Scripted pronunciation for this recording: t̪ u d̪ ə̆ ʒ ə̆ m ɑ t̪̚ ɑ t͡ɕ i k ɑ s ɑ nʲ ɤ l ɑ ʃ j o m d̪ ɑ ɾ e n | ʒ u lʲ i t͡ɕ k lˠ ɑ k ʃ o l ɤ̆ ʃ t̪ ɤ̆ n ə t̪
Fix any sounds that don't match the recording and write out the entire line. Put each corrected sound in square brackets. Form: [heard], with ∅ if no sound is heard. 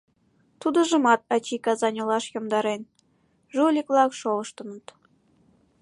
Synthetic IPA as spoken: t̪ u d̪ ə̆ ʒ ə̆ m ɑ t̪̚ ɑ t͡ɕ i k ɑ [z] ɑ nʲ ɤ l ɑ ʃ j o m d̪ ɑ ɾ e n | ʒ u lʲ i [∅] k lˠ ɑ k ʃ o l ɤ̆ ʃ t̪ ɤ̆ n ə t̪